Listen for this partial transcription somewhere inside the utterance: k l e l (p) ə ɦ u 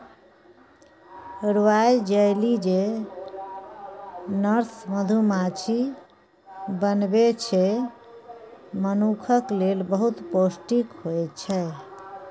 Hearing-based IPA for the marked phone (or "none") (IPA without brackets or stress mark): b